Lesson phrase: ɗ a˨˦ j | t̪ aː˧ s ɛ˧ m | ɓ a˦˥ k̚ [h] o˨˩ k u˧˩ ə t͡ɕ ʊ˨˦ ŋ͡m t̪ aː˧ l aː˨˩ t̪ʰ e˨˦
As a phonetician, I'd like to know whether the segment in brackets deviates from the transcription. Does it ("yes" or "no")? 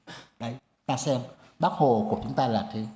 no